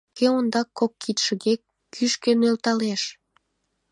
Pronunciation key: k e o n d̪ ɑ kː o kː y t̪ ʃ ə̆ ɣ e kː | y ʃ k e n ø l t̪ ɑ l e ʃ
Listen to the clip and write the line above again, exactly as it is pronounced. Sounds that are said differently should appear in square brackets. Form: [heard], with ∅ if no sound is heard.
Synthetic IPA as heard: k e o n d̪ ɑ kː o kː [i] t̪ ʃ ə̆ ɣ e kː | y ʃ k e n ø l t̪ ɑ l e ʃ